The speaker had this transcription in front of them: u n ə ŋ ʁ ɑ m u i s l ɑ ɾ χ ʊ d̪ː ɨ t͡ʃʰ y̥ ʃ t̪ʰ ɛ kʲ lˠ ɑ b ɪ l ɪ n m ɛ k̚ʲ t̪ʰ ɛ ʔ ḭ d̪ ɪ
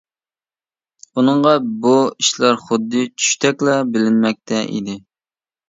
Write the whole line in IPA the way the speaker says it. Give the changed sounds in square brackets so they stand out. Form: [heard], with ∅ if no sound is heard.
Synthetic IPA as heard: u n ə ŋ ʁ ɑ [b] u i [ʃ] l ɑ ɾ χ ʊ d̪ː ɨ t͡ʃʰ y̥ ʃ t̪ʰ ɛ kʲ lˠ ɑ b ɪ l ɪ n m ɛ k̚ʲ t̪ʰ ɛ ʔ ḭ d̪ ɪ